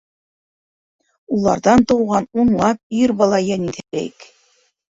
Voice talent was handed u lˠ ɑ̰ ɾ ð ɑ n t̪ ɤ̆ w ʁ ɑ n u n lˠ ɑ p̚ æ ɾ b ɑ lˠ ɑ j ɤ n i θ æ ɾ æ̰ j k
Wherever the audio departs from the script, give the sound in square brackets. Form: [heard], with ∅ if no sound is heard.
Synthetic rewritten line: u lˠ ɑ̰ ɾ ð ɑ n t̪ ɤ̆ w ʁ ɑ n u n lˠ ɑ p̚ [i] ɾ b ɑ lˠ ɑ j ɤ n i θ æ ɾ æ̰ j k